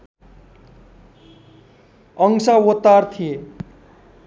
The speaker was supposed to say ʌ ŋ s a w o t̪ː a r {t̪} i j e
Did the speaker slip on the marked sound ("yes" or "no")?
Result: yes